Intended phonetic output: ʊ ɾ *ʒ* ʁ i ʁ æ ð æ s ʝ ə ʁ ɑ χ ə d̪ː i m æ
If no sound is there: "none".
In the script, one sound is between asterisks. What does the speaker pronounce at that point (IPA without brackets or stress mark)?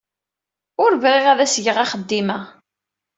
v